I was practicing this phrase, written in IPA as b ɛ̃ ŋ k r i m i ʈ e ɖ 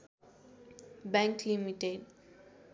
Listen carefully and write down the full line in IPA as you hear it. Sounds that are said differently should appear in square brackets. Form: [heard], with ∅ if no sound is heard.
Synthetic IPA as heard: b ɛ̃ ŋ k [l] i m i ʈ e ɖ

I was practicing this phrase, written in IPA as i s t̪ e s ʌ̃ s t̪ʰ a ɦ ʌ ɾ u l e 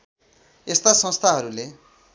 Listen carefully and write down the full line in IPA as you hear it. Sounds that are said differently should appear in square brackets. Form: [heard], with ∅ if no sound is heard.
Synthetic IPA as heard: [e] s t̪ [a] s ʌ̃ s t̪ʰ a ɦ ʌ ɾ u l e

